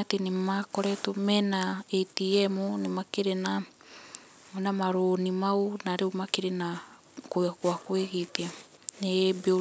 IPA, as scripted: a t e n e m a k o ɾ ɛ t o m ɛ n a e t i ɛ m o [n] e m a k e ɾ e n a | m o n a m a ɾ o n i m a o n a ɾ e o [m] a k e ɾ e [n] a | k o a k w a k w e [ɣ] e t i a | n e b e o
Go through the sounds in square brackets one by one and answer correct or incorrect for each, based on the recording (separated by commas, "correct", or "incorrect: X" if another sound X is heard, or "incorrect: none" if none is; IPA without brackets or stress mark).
correct, correct, correct, correct